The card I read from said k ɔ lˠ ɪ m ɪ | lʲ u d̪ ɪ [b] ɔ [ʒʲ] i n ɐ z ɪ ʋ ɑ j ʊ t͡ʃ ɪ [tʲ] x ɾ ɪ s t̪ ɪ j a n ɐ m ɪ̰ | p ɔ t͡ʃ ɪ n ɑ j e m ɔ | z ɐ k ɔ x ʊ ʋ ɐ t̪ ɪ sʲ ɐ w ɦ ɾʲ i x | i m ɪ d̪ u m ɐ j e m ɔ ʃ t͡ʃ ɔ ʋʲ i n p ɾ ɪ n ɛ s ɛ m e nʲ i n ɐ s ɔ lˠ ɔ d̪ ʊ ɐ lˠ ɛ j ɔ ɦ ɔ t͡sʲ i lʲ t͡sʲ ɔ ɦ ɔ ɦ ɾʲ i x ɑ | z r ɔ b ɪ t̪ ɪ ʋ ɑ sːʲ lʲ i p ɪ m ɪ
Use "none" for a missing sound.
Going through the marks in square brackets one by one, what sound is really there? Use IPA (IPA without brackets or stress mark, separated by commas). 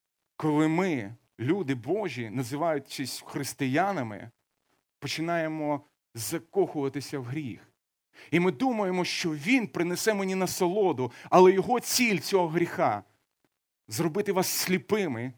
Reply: b, ʒʲ, sʲ